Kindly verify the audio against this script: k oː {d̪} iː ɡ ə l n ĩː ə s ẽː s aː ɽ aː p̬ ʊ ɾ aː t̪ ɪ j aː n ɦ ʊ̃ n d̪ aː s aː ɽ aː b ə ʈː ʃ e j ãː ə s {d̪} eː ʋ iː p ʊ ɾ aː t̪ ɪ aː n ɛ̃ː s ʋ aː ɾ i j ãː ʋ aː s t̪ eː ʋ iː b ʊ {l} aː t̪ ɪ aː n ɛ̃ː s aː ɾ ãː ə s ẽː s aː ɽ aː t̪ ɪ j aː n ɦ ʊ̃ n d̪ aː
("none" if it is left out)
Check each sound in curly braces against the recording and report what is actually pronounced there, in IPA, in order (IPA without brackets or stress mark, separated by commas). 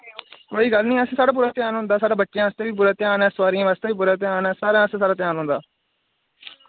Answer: none, t̪, ɾ